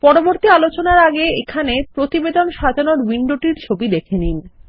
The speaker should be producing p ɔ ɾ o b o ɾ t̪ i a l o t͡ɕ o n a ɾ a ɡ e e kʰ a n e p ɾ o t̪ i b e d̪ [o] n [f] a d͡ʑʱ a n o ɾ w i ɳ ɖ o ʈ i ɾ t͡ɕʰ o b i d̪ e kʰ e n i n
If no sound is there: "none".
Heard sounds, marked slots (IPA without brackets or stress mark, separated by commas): o, ʃ